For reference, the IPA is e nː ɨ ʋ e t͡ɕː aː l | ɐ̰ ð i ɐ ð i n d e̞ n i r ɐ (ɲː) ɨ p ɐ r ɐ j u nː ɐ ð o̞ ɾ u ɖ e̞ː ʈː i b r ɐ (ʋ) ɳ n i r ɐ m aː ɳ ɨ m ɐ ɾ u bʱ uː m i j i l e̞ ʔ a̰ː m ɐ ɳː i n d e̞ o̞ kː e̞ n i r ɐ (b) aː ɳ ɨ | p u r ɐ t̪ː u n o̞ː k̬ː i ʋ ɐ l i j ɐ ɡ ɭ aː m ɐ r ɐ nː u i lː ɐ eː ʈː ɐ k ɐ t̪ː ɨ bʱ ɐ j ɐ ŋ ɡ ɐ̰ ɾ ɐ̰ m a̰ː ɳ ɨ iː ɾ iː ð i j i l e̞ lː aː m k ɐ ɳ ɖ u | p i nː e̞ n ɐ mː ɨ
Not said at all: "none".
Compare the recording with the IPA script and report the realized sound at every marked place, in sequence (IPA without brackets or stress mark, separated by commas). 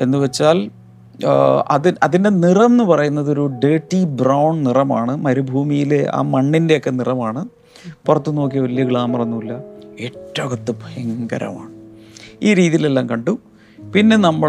nː, w, m